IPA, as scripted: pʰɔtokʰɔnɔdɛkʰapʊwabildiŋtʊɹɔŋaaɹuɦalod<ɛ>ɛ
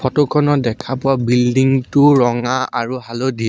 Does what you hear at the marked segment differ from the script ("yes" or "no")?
yes